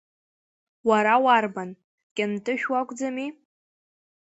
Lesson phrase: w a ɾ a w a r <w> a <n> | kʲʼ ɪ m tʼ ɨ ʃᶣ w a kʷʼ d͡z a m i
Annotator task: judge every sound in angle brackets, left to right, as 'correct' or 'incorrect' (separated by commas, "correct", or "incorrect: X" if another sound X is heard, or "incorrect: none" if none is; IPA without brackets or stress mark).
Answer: incorrect: b, correct